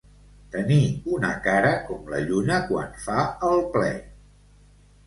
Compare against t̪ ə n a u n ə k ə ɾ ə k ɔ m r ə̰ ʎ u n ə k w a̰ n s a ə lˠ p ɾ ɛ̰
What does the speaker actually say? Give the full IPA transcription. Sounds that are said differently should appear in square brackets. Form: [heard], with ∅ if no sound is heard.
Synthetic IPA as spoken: t̪ ə n [i] u n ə k [a] ɾ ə k ɔ m [l] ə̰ ʎ u n ə k w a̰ n [f] a ə lˠ p [l] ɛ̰